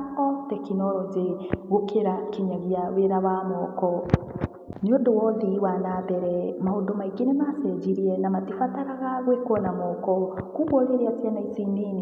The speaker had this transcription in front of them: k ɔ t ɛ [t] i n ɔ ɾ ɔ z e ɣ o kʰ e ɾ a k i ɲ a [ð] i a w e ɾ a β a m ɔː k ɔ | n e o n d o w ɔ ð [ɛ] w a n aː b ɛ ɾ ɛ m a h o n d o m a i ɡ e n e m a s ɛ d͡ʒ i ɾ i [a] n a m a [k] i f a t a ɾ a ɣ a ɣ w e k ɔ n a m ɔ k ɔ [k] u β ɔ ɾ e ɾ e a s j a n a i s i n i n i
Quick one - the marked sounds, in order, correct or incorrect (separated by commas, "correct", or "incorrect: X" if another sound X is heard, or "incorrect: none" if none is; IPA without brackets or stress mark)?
incorrect: k, incorrect: ɣ, incorrect: i, incorrect: ɛ, incorrect: t, correct